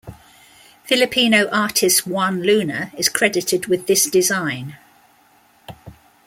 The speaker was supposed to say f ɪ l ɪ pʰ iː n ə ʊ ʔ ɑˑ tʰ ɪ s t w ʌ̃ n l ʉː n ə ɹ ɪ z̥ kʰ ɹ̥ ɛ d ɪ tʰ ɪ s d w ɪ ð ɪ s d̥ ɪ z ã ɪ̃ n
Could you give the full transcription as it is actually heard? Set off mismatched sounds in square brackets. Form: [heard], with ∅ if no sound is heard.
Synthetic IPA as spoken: f ɪ l ɪ pʰ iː n ə ʊ ʔ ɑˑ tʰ ɪ s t w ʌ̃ n l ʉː n ə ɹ ɪ z̥ kʰ ɹ̥ ɛ d ɪ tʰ ɪ [∅] d w ɪ ð ɪ s d̥ ɪ z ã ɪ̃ n